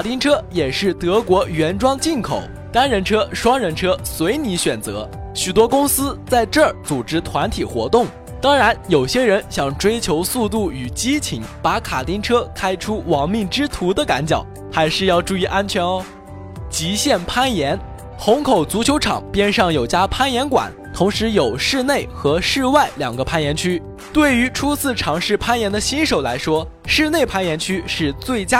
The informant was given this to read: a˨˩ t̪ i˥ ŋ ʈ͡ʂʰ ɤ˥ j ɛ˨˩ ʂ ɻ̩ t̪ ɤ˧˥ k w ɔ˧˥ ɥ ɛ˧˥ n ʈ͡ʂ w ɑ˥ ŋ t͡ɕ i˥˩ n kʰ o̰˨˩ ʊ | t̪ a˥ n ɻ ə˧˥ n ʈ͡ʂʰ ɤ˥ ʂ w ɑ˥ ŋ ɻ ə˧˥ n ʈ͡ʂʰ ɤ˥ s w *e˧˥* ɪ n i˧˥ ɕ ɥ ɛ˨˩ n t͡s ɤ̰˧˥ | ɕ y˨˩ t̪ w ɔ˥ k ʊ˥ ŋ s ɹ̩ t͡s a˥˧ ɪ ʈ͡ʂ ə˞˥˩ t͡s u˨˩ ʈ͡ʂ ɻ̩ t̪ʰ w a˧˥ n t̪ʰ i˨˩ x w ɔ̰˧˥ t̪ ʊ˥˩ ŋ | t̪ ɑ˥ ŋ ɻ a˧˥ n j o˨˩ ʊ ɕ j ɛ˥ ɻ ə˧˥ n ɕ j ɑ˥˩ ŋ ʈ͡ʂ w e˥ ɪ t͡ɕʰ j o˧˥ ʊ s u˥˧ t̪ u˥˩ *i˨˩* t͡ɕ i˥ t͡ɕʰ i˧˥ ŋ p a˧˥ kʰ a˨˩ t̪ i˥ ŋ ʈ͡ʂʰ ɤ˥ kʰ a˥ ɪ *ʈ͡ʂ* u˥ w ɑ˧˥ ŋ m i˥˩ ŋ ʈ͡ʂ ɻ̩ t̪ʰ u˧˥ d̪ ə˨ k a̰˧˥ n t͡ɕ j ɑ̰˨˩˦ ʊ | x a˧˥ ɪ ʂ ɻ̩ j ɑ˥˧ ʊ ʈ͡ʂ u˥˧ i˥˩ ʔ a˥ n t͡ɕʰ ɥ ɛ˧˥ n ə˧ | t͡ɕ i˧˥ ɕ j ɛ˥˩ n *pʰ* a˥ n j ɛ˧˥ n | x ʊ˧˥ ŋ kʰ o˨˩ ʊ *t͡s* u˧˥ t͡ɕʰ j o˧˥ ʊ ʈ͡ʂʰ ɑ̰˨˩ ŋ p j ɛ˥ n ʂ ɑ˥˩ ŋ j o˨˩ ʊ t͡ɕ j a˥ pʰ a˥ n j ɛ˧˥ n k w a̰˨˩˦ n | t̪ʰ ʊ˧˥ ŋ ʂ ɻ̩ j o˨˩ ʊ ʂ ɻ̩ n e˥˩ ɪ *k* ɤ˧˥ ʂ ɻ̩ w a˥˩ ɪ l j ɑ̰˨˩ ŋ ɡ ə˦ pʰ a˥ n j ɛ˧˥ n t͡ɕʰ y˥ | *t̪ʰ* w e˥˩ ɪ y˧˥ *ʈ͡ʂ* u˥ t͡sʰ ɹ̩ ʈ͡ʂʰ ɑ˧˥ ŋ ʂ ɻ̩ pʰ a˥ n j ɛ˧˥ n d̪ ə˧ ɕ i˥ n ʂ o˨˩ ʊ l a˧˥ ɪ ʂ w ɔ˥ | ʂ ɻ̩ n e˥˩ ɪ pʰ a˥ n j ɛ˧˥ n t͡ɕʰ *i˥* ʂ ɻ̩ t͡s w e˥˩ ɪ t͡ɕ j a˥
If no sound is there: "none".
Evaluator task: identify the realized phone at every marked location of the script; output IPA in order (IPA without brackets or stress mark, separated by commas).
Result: e˧˥, y˨˩, ʈ͡ʂʰ, pʰ, t͡s, x, t̪, ʈ͡ʂʰ, y˥